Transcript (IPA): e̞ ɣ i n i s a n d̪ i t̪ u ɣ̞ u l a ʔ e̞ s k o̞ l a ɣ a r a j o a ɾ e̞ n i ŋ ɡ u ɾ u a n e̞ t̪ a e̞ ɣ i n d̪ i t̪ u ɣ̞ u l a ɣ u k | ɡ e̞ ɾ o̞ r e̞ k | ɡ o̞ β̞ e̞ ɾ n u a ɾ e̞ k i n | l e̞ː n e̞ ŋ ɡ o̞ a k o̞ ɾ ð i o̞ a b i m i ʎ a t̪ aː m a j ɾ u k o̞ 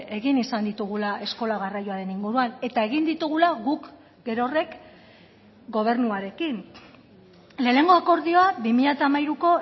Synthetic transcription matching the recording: e̞ ɣ i n i s a n d̪ i t̪ u ɣ̞ u l a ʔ e̞ s k o̞ l a ɣ a r a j o a ɾ e̞ n i ŋ ɡ u ɾ u a n e̞ t̪ a e̞ ɣ i n d̪ i t̪ u ɣ̞ u l a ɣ u k | ɡ e̞ ɾ o̞ r e̞ k | ɡ o̞ β̞ e̞ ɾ n u a ɾ e̞ k i n | l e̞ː n e̞ ŋ ɡ o̞ a k o̞ ɾ ð i o̞ a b i m i ʎ a t̪ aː m a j ɾ u k o̞

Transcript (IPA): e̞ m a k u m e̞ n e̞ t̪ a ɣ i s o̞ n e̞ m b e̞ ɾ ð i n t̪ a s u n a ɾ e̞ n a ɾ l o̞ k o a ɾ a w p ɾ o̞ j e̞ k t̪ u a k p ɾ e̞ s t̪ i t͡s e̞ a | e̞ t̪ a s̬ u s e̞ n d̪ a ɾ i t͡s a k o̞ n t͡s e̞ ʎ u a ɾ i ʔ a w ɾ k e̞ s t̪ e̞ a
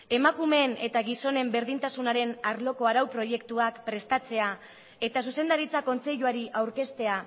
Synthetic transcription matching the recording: e̞ m a k u m e̞ n e̞ t̪ a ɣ i s o̞ n e̞ m b e̞ ɾ ð i n t̪ a s u n a ɾ e̞ n a ɾ l o̞ k o a ɾ a w p ɾ o̞ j e̞ k t̪ u a k p ɾ e̞ s t̪ a t͡s e̞ a | e̞ t̪ a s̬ u s e̞ n d̪ a ɾ i t͡s a k o̞ n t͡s e̞ ʎ u a ɾ i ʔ a w ɾ k e̞ s t̪ e̞ a

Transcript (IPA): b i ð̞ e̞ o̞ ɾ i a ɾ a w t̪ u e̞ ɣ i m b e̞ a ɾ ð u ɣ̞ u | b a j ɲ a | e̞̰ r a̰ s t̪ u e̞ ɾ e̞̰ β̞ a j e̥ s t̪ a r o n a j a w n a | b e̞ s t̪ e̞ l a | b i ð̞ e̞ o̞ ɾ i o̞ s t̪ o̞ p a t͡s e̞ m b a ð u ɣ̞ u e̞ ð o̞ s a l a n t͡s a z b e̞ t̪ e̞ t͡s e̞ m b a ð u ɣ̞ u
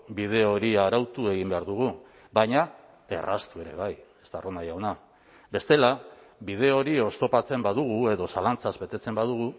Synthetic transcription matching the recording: b i ð̞ e̞ o̞ ɾ i a ɾ a w t̪ u e̞ ɣ i m b e̞ a ɾ ð u ɣ̞ u | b a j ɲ a | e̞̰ r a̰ s t̪ u e̞ ɾ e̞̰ β̞ a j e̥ s t̪ a r o n a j a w n a | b e̞ s t̪ e̞ l a | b i ð̞ e̞ o̞ ɾ i o̞ s t̪ o̞ p a t͡s e̞ m b a ð u ɣ̞ u e̞ ð o̞ s a l a n t͡s a z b e̞ t̪ e̞ t͡s e̞ m b a ð u ɣ̞ u

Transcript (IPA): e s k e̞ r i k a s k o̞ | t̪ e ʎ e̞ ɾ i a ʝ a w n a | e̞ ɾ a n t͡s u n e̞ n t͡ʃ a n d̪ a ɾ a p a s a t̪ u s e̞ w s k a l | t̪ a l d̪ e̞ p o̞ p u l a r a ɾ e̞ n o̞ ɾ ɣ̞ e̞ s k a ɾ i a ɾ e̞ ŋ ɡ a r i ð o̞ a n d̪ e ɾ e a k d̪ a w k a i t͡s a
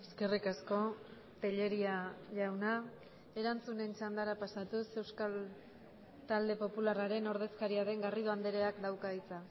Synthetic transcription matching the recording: e s k e̞ r i k a s k o̞ | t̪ e ʎ e̞ ɾ i a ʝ a w n a | e̞ ɾ a n t͡s u n e̞ n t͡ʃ a n d̪ a ɾ a p a s a t̪ u s e̞ w s k a l | t̪ a l d̪ e̞ p o̞ p u l a r a ɾ e̞ n o̞ ɾ ð̞ e̞ s k a ɾ i a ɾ e̞ ŋ ɡ a r i ð o̞ a n d̪ e ɾ e a k d̪ a w k a i t͡s a

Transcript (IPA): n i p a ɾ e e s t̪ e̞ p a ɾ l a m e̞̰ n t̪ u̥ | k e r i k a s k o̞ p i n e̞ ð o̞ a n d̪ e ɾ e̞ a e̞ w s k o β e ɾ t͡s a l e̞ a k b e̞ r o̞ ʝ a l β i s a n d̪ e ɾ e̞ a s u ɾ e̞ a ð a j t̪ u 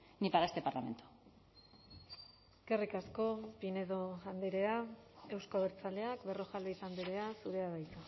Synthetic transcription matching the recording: n i p a ɾ a e s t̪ e̞ p a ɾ l a m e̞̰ n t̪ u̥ | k e r i k a s k o̞ p i n e̞ ð o̞ a n d̪ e ɾ e̞ a e̞ w s k o β e ɾ t͡s a l e̞ a k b e̞ r o̞ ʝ a l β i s a n d̪ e ɾ e̞ a s u ɾ e̞ a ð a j t̪ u

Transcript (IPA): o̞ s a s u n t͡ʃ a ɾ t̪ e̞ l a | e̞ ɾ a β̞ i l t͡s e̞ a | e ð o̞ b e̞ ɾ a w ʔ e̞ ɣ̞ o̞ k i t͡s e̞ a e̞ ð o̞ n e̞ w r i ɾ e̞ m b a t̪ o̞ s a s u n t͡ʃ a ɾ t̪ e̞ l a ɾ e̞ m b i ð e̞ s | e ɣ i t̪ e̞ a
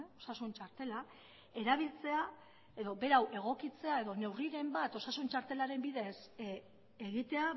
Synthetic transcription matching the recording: o̞ s a s u n t͡ʃ a ɾ t̪ e̞ l a | e̞ ɾ a β̞ i l t͡s e̞ a | e ð o̞ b e̞ ɾ a w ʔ e̞ ɣ̞ o̞ k i t͡s e̞ a e̞ ð o̞ n e̞ w r i ɾ e̞ m b a t̪ o̞ s a s u n t͡ʃ a ɾ t̪ e̞ l a ɾ e̞ m b i ð e̞ s | e ɣ i t̪ e̞ a

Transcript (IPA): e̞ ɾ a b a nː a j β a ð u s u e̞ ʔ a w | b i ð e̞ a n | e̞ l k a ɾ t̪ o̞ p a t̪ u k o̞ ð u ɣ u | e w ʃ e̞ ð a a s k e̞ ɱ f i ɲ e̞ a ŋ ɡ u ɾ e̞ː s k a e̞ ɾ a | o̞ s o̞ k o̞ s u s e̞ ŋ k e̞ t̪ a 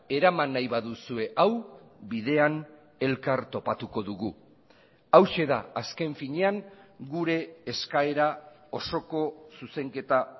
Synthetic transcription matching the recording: e̞ ɾ a m a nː a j β a ð u s u e̞ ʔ a w | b i ð e̞ a n | e̞ l k a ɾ t̪ o̞ p a t̪ u k o̞ ð u ɣ u | a w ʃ e̞ ð a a s k e̞ ɱ f i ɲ e̞ a ŋ ɡ u ɾ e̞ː s k a e̞ ɾ a | o̞ s o̞ k o̞ s u s e̞ ŋ k e̞ t̪ a

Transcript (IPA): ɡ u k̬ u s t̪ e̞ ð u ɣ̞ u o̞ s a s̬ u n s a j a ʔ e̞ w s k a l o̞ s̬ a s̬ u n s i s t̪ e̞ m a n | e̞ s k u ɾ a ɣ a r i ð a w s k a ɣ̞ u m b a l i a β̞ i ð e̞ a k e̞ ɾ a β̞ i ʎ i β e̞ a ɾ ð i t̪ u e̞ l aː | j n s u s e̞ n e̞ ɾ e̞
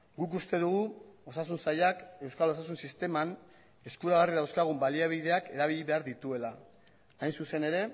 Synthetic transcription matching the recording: ɡ u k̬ u s t̪ e̞ ð u ɣ̞ u o̞ s a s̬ u n s a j a k e̞ w s k a l o̞ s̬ a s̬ u n s i s t̪ e̞ m a n | e̞ s k u ɾ a ɣ a r i ð a w s k a ɣ̞ u m b a l i a β̞ i ð e̞ a k e̞ ɾ a β̞ i ʎ i β e̞ a ɾ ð i t̪ u e̞ l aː | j n s u s e̞ n e̞ ɾ e̞

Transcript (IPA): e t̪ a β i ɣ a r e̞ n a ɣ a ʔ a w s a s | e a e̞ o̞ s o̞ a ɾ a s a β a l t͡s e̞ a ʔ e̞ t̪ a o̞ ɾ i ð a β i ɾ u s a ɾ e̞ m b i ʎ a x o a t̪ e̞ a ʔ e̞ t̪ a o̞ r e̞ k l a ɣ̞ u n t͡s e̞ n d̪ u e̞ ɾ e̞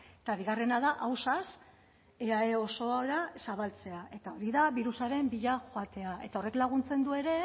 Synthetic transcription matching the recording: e t̪ a β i ɣ a r e̞ n a ð a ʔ a w s a s | e a e̞ o̞ s o̞ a ɾ a s a β a l t͡s e̞ a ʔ e̞ t̪ a o̞ ɾ i ð a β i ɾ u s a ɾ e̞ m b i ʎ a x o a t̪ e̞ a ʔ e̞ t̪ a o̞ r e̞ k l a ɣ̞ u n t͡s e̞ n d̪ u e̞ ɾ e̞

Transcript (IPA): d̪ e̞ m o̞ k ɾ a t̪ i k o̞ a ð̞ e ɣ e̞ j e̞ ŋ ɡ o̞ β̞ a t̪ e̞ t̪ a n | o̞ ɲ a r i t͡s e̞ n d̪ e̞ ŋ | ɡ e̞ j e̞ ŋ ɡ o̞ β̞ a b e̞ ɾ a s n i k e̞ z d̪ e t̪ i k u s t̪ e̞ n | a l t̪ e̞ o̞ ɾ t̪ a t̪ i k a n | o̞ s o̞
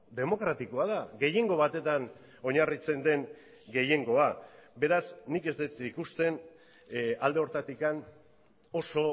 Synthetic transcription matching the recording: d̪ e̞ m o̞ k ɾ a t̪ i k o̞ a ð̞ a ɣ e̞ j e̞ ŋ ɡ o̞ β̞ a t̪ e̞ t̪ a n | o̞ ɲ a r i t͡s e̞ n d̪ e̞ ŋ | ɡ e̞ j e̞ ŋ ɡ o̞ a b e̞ ɾ a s n i k e̞ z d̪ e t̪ i k u s t̪ e̞ n | a l d̪ e̞ o̞ ɾ t̪ a t̪ i k a n | o̞ s o̞

